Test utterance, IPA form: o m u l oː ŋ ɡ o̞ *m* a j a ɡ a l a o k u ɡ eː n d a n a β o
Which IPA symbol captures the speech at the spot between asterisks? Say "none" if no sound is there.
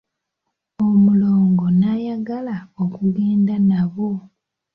n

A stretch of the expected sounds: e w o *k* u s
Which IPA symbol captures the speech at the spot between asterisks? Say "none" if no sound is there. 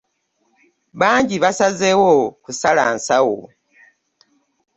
k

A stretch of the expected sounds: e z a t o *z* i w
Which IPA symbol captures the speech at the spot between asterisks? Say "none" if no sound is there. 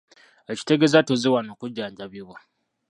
z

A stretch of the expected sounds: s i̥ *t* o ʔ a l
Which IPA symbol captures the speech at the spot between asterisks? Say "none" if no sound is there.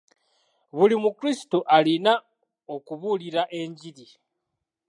t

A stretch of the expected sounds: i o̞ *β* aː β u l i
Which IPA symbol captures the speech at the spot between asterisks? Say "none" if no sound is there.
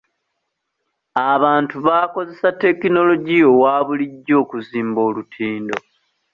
w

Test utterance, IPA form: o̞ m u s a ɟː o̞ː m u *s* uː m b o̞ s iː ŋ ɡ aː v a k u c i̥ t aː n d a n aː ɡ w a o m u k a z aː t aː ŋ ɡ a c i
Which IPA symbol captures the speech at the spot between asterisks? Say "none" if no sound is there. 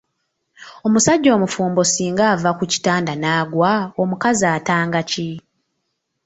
f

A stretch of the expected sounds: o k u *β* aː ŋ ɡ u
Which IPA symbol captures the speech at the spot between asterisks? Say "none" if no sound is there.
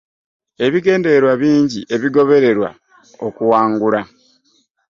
w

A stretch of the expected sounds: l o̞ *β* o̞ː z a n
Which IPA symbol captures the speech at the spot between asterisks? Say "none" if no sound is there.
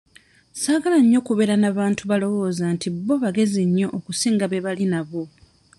w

